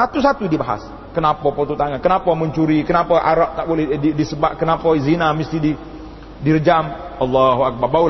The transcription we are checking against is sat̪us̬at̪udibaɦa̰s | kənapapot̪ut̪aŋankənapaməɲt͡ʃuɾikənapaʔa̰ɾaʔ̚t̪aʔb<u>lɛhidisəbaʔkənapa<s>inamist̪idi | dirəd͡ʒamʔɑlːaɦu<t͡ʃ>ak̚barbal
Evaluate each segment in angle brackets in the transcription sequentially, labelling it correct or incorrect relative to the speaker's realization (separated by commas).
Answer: incorrect, incorrect, incorrect